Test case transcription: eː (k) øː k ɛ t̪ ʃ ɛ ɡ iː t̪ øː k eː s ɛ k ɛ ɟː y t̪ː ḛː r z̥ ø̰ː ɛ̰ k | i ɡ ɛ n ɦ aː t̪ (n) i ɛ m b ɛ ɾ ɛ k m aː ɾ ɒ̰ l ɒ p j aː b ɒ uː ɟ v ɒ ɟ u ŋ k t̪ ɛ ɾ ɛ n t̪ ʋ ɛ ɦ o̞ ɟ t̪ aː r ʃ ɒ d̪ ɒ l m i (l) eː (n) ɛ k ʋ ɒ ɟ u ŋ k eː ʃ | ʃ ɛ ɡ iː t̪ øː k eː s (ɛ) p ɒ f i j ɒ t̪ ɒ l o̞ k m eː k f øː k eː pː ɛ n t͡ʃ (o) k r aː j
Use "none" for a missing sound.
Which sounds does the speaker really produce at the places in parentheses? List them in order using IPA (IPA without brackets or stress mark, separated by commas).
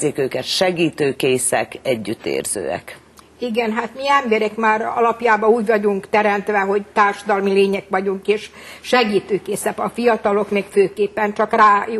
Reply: k, m, l, ɲ, ɛ, ɒ